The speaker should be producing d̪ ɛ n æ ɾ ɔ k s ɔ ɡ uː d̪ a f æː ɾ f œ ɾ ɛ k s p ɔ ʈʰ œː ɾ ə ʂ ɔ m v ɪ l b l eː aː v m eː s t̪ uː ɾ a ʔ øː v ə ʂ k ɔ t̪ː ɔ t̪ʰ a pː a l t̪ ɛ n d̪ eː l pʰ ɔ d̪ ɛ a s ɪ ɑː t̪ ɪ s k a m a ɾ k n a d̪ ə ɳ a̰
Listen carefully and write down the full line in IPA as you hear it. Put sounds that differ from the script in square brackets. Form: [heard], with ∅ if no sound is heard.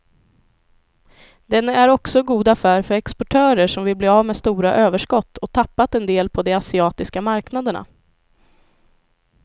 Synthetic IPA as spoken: d̪ ɛ n æ ɾ ɔ k s ɔ ɡ uː d̪ a f æː ɾ f œ ɾ ɛ k s p ɔ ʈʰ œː ɾ ə ʂ ɔ m v ɪ l b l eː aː v m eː s t̪ uː ɾ a ʔ øː v ə ʂ k ɔ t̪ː ɔ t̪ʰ a pː a [∅] t̪ ɛ n d̪ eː l pʰ ɔ d̪ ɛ a s ɪ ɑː t̪ ɪ s k a m a ɾ k n a d̪ ə ɳ a̰